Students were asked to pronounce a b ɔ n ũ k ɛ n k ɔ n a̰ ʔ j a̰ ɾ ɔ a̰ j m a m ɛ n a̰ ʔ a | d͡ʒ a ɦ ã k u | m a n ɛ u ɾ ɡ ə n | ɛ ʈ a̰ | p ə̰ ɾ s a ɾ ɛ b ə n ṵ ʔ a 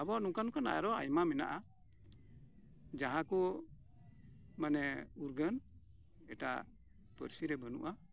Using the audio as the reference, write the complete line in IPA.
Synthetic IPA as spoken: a b ɔ n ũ k a n k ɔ n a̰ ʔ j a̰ ɾ ɔ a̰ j m a m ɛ n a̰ ʔ a | d͡ʒ a ɦ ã k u | m a n ɛ u ɾ ɡ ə n | ɛ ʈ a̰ | p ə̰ ɾ s i ɾ ɛ b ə n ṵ ʔ a